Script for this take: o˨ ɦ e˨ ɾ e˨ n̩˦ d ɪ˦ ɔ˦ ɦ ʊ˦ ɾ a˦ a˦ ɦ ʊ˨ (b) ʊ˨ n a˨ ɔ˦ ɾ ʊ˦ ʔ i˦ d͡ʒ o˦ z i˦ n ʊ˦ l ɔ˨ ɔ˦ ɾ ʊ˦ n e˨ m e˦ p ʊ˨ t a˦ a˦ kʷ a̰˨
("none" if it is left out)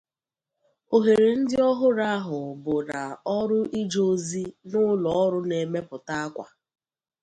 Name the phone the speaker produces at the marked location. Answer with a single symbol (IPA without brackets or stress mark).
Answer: b